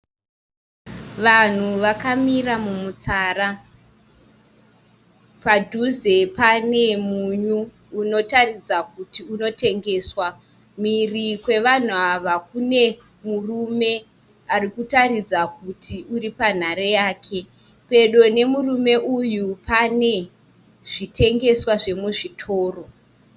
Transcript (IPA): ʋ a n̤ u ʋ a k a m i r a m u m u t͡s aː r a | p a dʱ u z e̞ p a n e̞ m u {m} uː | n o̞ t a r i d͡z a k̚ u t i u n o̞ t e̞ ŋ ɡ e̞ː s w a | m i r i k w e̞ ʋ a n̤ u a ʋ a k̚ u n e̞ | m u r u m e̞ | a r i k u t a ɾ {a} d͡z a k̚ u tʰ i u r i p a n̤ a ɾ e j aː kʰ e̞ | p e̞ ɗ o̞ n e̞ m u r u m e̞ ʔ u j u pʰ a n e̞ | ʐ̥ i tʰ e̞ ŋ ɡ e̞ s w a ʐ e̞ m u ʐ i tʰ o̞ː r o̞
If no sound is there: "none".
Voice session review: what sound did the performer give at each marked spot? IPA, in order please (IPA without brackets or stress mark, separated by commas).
ɲ, i